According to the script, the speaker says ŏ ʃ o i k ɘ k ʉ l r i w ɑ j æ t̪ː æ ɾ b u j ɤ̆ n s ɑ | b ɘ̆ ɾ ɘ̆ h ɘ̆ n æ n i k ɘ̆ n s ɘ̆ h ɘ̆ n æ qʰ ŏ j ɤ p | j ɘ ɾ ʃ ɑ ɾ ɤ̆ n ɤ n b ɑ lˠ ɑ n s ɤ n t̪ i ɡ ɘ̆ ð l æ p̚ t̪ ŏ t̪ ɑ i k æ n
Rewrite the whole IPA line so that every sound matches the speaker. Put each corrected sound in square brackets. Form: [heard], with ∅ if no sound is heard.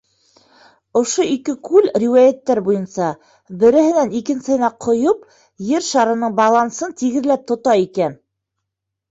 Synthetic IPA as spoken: ŏ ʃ o i k ɘ k ʉ l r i w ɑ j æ t̪ː æ ɾ b u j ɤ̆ n s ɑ | b ɘ̆ ɾ ɘ̆ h ɘ̆ n æ n i k ɘ̆ n s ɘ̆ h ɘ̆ n æ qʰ ŏ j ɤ p | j ɘ ɾ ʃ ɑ ɾ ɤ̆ n ɤ [ɴ] b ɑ lˠ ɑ n s ɤ n t̪ i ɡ ɘ̆ ð l æ p̚ t̪ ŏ t̪ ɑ i k æ n

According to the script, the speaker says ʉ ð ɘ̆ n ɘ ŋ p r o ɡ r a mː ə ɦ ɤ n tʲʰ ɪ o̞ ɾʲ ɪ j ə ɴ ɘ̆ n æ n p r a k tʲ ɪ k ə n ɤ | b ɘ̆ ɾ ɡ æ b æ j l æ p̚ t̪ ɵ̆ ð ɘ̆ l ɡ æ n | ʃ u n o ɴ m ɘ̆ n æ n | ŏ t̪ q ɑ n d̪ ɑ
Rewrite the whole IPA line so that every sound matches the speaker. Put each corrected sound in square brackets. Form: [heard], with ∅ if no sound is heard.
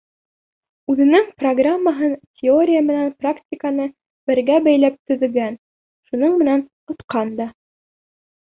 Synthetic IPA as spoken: ʉ ð ɘ̆ n ɘ ŋ p r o ɡ r a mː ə ɦ ɤ n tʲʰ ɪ o̞ ɾʲ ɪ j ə [m] ɘ̆ n æ n p r a k tʲ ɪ k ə n ɤ | b ɘ̆ ɾ ɡ æ b æ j l æ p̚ t̪ ɵ̆ ð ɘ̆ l ɡ æ n | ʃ u n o ɴ m ɘ̆ n æ n | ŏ t̪ q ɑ n d̪ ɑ

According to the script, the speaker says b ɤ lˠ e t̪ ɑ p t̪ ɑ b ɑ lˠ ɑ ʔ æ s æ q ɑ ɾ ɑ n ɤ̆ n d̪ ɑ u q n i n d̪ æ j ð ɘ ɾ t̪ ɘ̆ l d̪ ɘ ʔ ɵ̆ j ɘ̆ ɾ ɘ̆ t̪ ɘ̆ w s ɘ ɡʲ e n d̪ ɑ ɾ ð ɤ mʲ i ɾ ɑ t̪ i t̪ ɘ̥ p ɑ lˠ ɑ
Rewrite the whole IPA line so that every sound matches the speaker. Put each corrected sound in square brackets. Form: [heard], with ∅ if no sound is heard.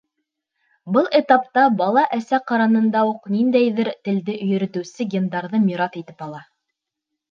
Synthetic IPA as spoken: b ɤ lˠ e t̪ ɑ p t̪ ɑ b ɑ lˠ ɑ ʔ æ s æ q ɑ ɾ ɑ n ɤ̆ n d̪ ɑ u q n i n d̪ æ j ð ɘ ɾ t̪ ɘ̆ l d̪ ɘ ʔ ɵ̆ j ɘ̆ ɾ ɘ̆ t̪ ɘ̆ w s ɘ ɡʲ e n d̪ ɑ ɾ ð ɤ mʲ i ɾ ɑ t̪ i t̪ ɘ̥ p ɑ lˠ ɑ

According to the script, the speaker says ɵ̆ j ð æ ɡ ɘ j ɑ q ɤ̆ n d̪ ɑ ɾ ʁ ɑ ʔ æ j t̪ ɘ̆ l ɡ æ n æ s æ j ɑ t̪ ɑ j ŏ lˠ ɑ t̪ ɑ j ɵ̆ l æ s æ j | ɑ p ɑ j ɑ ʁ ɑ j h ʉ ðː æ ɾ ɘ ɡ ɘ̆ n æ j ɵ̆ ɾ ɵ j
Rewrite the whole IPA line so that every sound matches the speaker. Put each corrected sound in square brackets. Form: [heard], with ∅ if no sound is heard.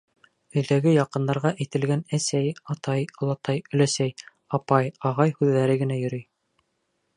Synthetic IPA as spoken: ɵ̆ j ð æ ɡ ɘ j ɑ q ɤ̆ n d̪ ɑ ɾ ʁ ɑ ʔ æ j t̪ ɘ̆ l ɡ æ n æ s æ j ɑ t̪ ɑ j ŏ lˠ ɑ t̪ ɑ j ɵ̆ l æ s æ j | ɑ p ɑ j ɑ ʁ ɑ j h ʉ ðː æ ɾ ɘ ɡ ɘ̆ n æ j ɵ̆ ɾ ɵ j

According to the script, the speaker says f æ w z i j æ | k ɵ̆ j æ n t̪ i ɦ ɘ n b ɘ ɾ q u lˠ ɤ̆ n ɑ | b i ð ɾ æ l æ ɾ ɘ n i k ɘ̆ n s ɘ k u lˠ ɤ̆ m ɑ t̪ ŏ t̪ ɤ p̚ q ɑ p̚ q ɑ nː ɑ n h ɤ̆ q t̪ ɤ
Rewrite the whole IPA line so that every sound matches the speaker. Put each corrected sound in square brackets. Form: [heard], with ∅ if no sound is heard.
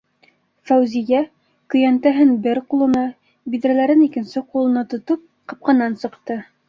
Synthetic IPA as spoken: f æ w z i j æ | k ɵ̆ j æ n t̪ [æ] ɦ ɘ n b ɘ ɾ q u lˠ ɤ̆ n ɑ | b i ð ɾ æ l æ ɾ ɘ n i k ɘ̆ n s ɘ [q] u lˠ ɤ̆ [n] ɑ t̪ ŏ t̪ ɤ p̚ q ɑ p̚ q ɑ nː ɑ n [s] ɤ̆ q t̪ ɤ

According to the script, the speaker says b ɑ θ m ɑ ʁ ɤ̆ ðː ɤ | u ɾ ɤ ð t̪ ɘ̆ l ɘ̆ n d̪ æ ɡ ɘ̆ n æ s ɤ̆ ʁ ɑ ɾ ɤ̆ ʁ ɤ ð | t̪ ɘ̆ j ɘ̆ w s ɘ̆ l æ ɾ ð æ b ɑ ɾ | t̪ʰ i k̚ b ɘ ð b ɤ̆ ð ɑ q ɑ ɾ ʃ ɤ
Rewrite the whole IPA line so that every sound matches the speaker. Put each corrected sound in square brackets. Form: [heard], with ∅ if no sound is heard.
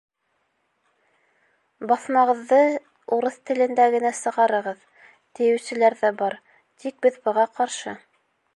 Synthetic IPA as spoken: b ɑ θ m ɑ ʁ ɤ̆ ðː ɤ | u ɾ ɤ [θ] t̪ ɘ̆ l ɘ̆ n d̪ æ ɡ ɘ̆ n æ s ɤ̆ ʁ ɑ ɾ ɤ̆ ʁ ɤ ð | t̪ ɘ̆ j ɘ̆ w s ɘ̆ l æ ɾ ð æ b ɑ ɾ | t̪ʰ i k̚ b ɘ ð b ɤ̆ [ʁ] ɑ q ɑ ɾ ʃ ɤ

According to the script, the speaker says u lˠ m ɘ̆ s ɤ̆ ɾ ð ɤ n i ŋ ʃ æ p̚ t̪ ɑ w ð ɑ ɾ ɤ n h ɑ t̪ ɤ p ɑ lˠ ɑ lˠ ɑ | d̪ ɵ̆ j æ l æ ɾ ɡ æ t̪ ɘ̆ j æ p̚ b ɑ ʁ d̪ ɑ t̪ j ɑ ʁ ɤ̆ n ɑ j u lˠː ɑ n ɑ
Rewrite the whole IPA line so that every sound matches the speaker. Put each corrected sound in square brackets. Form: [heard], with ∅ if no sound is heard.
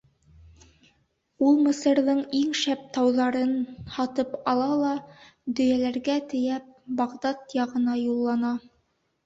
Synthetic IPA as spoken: u lˠ m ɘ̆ s ɤ̆ ɾ ð ɤ [ɴ] i ŋ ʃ æ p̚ t̪ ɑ w ð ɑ ɾ ɤ n h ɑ t̪ ɤ p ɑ lˠ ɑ lˠ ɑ | d̪ ɵ̆ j æ l æ ɾ ɡ æ t̪ ɘ̆ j æ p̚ b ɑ ʁ d̪ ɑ t̪ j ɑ ʁ ɤ̆ n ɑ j u lˠː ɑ n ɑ

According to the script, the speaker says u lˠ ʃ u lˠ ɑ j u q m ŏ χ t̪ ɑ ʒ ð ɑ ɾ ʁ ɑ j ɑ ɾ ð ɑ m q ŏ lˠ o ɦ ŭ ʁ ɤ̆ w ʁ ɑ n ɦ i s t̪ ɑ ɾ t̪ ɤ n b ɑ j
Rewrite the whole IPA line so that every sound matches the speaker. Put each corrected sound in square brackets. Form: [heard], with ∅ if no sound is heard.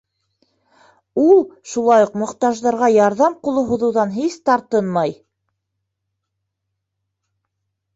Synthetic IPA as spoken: u lˠ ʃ u lˠ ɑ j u q m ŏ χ t̪ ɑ ʒ ð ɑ ɾ ʁ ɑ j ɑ ɾ ð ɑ m q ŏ lˠ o ɦ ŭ [ð] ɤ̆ w [ð] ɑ n ɦ i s t̪ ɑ ɾ t̪ ɤ n [m] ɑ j

